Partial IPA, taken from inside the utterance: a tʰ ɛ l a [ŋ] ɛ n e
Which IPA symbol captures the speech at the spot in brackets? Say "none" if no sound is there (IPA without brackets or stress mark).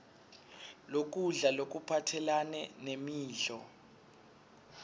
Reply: n